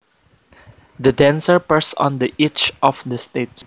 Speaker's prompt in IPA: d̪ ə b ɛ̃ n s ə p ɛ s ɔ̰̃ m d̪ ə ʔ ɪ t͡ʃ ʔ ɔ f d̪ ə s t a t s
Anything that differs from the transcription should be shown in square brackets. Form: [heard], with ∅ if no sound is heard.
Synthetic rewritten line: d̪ ə [d] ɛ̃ n s ə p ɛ s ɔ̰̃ [n] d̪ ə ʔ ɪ t͡ʃ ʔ ɔ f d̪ ə s t [e] t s